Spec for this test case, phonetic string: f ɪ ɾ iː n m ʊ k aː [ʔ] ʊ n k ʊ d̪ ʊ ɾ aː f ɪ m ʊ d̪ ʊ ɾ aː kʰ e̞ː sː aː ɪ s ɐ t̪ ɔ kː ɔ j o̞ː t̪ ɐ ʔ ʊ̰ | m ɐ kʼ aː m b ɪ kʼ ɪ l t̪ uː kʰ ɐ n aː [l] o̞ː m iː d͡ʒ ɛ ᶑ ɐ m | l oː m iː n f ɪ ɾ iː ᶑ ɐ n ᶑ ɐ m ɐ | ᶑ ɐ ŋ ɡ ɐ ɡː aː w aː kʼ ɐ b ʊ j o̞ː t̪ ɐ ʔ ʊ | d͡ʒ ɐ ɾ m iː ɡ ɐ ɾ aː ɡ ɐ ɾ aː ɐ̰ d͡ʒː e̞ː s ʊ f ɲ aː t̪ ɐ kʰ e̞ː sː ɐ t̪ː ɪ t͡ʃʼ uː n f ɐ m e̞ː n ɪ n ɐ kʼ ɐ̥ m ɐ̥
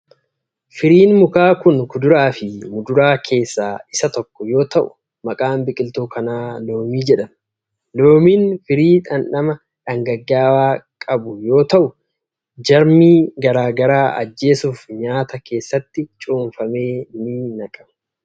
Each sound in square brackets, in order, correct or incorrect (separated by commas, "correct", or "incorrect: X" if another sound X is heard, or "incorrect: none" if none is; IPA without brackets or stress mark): incorrect: k, correct